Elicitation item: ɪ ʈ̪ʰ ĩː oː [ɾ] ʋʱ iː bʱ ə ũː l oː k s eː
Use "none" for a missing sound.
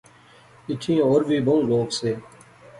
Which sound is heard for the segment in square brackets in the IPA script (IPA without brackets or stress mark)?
ɾ